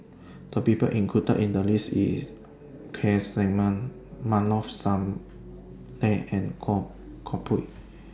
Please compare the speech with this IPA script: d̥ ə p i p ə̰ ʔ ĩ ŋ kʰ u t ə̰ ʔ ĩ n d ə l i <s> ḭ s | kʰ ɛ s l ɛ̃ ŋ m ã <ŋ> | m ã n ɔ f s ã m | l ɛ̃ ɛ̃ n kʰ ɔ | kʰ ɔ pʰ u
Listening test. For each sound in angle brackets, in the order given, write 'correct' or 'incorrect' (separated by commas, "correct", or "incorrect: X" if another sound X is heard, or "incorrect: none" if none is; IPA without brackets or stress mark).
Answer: correct, incorrect: n